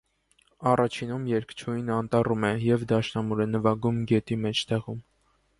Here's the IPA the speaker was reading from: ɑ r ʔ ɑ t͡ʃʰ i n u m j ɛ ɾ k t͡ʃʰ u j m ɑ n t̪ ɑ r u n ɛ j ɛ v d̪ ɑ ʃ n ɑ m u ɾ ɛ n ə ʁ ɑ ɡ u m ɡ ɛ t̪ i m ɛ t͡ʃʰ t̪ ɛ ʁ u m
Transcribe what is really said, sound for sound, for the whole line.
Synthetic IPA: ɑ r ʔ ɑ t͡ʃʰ i n u m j ɛ ɾ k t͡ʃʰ u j n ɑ n t̪ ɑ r u m ɛ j ɛ v d̪ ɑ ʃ n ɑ m u ɾ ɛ n ə v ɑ ɡ u m ɡ ɛ t̪ i m ɛ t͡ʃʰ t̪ ɛ ʁ u m